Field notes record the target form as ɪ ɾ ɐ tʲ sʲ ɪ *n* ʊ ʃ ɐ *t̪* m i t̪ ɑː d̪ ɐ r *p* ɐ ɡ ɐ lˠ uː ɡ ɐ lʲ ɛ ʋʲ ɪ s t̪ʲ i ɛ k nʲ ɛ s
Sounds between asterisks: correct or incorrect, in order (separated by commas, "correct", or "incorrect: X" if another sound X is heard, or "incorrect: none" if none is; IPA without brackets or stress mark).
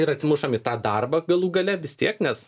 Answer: incorrect: m, incorrect: none, incorrect: b